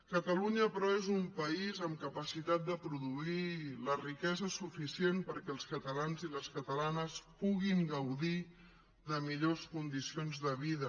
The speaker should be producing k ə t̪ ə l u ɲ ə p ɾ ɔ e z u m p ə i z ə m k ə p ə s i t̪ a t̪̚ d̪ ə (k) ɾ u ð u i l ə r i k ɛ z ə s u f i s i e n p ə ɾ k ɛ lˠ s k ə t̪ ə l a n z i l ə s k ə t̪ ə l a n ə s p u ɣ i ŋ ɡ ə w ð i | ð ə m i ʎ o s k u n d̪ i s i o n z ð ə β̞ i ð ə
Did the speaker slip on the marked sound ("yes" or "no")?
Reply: yes